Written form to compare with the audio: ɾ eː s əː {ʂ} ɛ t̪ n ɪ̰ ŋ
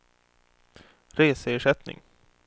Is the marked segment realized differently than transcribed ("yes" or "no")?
no